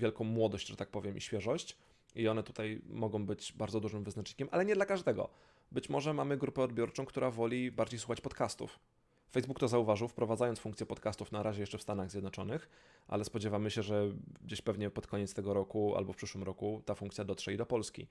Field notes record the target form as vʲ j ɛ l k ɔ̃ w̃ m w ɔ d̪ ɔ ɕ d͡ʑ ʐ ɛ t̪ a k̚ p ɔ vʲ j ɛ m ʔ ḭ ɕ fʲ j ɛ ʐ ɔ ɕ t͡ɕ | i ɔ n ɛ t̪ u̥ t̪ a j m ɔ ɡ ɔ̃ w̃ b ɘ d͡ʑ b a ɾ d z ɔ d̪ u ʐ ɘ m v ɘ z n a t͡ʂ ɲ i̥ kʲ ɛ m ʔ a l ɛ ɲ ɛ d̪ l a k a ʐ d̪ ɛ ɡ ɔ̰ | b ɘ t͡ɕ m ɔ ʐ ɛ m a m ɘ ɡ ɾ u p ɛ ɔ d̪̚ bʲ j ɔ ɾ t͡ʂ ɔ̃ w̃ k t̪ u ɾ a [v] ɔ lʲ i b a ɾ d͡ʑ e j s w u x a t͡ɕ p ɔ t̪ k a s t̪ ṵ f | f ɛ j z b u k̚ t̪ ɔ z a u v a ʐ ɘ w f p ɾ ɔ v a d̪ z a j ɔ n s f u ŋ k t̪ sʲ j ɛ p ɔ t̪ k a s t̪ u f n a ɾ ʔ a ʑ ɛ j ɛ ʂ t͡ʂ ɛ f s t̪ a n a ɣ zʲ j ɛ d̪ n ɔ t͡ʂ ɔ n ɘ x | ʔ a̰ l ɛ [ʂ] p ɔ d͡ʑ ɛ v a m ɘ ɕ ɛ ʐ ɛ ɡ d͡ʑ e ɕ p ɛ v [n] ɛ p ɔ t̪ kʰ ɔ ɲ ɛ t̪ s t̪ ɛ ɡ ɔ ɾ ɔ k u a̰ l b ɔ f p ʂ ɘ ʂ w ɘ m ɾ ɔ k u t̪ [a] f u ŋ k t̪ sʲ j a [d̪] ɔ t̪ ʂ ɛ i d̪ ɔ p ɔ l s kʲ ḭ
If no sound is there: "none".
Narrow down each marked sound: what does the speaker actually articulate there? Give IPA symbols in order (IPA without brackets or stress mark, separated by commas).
v, s, ɲ, a, d̪